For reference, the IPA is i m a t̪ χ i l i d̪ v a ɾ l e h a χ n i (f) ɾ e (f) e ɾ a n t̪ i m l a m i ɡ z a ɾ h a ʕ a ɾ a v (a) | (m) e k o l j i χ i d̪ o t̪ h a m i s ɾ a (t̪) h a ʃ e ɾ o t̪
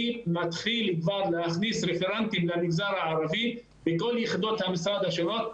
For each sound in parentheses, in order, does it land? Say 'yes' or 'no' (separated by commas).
no, yes, no, no, no